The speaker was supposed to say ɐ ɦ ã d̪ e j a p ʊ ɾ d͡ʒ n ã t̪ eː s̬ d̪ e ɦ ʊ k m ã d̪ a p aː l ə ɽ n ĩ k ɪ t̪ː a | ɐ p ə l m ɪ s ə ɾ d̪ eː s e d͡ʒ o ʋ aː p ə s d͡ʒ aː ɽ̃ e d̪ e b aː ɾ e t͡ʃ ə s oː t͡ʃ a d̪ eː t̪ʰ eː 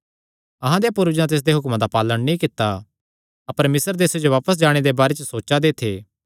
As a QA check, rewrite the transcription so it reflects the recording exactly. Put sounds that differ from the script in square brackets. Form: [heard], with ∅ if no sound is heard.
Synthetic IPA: ɐ ɦ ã d̪ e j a p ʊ ɾ d͡ʒ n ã t̪ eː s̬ d̪ e ɦ ʊ k m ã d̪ a p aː l ə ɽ n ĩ k ɪ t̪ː a | ɐ p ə [ɾ] m ɪ s ə ɾ d̪ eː s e d͡ʒ o ʋ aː p ə s d͡ʒ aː ɽ̃ e d̪ e b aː ɾ e t͡ʃ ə s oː t͡ʃ a d̪ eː t̪ʰ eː